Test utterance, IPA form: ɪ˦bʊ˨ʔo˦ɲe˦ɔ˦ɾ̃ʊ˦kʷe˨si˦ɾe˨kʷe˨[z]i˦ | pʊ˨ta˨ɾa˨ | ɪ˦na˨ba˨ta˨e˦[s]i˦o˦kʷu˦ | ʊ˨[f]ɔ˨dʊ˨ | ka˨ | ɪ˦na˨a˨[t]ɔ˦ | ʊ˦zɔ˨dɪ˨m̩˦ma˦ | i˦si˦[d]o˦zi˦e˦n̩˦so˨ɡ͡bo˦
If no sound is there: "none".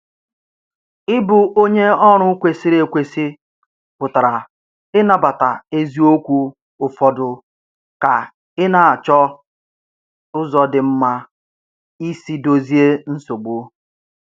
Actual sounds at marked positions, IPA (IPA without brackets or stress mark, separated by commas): s, z, f, t͡ʃ, d